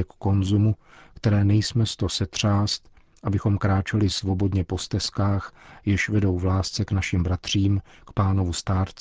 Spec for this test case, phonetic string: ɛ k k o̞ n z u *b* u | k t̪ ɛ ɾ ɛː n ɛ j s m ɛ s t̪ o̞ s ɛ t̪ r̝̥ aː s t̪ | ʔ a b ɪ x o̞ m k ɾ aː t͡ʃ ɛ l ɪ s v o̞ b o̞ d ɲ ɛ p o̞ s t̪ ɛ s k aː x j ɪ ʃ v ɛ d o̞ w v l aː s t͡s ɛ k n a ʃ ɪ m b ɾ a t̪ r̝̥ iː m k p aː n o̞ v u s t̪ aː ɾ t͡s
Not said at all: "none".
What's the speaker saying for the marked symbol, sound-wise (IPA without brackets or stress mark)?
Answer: m